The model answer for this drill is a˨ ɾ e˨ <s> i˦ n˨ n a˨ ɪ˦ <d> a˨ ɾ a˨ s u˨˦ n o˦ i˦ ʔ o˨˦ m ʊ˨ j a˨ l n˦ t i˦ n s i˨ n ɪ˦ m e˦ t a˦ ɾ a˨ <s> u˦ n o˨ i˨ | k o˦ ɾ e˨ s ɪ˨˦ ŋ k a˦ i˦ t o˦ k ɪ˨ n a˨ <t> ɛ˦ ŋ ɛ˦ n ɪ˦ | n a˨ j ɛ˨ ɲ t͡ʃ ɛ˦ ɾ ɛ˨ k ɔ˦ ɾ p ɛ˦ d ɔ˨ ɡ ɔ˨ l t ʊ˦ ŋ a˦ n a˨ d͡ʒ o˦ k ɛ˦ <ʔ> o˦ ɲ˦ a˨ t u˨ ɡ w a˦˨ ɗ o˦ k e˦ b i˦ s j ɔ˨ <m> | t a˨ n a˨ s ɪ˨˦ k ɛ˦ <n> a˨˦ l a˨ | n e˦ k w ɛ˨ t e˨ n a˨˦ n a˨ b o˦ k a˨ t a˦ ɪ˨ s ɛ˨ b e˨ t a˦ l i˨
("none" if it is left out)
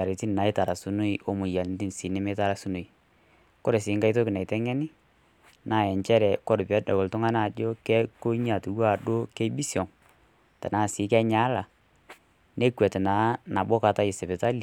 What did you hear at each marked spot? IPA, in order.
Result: t, t, s, t, k, ŋ, ɲ

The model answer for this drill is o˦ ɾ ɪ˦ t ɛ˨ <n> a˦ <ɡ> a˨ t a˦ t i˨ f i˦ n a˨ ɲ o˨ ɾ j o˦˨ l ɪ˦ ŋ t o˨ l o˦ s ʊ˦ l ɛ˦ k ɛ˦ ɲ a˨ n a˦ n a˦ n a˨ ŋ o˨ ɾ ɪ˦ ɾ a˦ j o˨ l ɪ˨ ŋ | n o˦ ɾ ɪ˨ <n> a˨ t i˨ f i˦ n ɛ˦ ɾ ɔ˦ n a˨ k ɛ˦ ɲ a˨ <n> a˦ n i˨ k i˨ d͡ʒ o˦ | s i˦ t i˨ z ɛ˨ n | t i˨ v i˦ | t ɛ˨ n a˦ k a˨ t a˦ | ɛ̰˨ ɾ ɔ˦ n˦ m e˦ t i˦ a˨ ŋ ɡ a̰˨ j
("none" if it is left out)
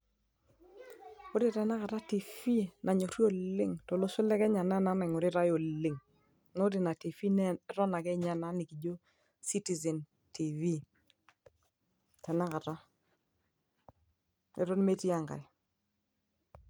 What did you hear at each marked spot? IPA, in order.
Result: n, k, n, n

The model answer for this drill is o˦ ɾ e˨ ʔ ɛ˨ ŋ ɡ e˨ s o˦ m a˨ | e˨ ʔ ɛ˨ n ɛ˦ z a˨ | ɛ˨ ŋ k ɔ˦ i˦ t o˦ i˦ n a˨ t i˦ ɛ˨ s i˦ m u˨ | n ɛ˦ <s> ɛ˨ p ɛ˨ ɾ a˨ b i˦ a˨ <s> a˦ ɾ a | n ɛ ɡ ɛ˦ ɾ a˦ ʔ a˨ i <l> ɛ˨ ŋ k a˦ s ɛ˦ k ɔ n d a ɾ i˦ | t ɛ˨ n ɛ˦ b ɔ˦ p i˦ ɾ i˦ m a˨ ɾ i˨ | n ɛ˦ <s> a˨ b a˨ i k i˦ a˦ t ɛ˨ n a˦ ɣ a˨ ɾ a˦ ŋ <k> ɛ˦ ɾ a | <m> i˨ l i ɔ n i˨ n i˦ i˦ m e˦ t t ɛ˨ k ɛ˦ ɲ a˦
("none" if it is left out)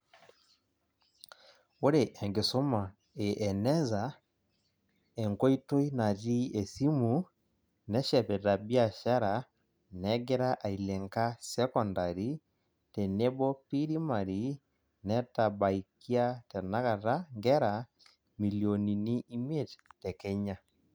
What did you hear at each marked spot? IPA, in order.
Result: ʃ, ʃ, l, t, ɡ, m

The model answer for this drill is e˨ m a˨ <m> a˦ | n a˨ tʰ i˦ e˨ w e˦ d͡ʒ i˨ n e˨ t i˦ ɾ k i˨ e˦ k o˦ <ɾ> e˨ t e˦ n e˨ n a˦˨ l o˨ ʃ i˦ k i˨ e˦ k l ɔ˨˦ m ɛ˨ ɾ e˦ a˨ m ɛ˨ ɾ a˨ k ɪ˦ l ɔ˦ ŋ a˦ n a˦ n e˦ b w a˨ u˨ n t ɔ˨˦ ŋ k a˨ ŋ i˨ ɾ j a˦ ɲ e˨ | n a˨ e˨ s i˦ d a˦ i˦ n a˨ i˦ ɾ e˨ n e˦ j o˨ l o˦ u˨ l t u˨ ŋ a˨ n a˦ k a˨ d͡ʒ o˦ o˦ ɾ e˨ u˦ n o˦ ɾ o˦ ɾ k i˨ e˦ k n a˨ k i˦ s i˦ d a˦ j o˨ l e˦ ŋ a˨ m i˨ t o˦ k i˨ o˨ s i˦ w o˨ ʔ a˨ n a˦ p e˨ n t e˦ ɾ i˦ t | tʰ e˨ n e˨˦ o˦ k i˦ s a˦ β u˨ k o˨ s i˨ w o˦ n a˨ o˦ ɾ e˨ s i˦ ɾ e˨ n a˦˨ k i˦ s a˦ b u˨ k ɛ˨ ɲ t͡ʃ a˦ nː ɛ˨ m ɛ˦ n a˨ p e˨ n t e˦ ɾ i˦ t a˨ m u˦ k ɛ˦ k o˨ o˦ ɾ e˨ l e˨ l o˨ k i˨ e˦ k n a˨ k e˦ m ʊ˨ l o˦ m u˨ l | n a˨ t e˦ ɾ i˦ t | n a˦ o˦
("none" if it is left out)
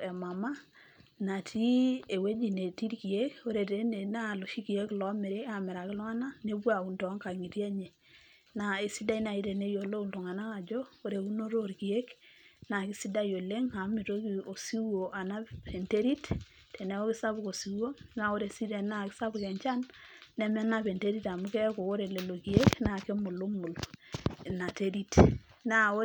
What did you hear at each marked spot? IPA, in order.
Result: m, ɾ

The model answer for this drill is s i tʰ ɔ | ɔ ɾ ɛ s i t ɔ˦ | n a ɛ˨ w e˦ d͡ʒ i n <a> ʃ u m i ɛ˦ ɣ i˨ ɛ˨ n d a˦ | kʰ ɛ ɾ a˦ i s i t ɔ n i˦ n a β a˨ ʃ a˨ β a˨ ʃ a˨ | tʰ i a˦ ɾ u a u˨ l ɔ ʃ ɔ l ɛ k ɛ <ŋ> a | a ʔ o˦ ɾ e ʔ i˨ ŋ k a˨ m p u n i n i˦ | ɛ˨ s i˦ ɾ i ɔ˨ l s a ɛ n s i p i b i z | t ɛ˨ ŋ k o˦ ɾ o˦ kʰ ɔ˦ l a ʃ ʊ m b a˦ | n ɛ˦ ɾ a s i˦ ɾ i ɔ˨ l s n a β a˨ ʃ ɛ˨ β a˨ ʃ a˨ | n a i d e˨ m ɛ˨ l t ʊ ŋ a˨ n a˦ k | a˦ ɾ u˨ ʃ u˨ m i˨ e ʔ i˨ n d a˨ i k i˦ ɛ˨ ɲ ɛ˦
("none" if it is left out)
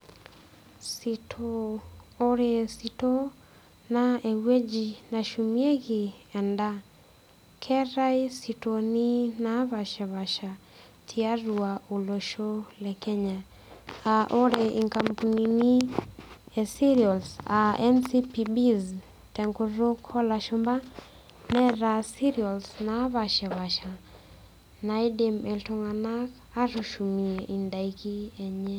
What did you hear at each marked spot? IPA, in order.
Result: a, ɲ

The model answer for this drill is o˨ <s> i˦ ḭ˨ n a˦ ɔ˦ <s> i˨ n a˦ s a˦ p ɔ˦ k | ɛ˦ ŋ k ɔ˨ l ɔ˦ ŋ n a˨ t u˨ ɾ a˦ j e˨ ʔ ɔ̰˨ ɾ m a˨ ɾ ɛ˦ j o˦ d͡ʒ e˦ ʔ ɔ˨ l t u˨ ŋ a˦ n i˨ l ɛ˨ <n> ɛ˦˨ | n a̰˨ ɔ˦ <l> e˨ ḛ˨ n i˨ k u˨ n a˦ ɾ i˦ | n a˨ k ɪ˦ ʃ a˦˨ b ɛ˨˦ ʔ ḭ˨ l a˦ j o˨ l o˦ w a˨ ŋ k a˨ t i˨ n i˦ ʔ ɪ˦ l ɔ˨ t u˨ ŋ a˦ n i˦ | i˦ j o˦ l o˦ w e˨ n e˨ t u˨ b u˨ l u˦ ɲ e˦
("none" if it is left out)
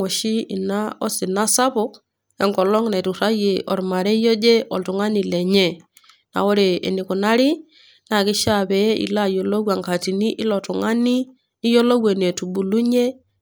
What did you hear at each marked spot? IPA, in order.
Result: ʃ, s, ɲ, ɾ

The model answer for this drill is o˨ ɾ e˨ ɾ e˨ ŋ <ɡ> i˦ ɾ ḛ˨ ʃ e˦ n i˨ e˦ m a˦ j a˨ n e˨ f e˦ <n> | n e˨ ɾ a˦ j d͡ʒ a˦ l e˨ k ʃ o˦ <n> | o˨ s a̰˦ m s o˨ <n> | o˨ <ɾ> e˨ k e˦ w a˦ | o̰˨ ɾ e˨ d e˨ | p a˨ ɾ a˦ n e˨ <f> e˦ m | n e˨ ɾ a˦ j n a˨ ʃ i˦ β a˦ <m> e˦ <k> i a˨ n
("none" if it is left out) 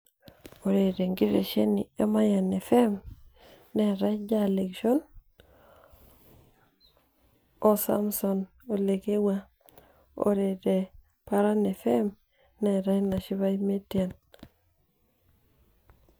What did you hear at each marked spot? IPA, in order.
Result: ɡ, m, n, n, l, f, m, t

